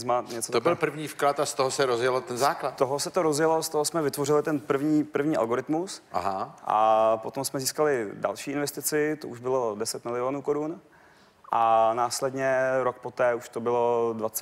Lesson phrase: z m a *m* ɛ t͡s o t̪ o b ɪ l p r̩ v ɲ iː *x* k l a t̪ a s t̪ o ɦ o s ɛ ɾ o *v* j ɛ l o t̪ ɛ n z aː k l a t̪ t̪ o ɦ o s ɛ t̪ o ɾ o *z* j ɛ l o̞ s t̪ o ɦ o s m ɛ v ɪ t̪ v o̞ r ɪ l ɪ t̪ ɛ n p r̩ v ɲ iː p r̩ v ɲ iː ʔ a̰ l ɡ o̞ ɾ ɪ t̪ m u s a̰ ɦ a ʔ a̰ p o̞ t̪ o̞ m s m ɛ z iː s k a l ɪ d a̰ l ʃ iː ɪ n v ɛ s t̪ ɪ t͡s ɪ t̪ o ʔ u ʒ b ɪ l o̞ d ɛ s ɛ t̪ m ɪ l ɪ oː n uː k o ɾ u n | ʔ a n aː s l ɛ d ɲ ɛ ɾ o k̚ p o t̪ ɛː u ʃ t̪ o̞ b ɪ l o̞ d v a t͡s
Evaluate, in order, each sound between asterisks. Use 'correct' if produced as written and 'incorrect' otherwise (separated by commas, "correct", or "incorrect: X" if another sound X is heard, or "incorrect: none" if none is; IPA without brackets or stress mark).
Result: incorrect: ɲ, incorrect: f, incorrect: z, correct